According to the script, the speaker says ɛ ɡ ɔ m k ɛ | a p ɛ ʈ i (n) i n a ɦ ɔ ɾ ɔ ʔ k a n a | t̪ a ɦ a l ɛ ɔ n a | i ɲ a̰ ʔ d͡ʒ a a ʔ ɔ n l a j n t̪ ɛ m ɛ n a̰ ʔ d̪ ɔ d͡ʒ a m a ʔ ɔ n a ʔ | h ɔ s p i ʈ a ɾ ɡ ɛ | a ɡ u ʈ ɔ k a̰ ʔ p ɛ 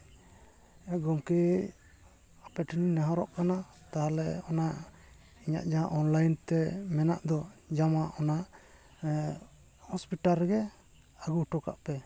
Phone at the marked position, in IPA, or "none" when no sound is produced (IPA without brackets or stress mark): n